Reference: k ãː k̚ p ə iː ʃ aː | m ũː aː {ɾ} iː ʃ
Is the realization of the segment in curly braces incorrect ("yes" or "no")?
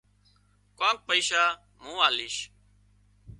yes